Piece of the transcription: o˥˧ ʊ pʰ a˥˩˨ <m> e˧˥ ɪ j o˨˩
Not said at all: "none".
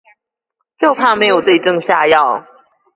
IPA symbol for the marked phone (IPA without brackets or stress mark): m